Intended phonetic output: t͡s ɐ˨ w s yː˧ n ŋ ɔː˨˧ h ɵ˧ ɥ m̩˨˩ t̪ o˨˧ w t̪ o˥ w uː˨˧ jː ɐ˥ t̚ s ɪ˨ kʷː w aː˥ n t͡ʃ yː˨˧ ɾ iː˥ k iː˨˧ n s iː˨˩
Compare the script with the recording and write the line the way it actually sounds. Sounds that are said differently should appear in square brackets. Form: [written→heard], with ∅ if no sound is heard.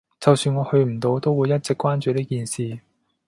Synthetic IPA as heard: t͡s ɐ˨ w s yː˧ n ŋ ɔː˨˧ h ɵ˧ ɥ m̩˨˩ t̪ o˨˧ w t̪ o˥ w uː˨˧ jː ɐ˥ t̚ [s→t͡s] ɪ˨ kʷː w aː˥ n t͡ʃ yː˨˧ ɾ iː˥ k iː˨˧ n s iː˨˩